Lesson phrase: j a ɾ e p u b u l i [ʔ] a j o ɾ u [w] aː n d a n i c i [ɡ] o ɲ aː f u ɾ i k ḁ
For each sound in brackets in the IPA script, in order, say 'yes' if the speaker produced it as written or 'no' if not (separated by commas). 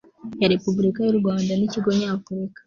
no, yes, yes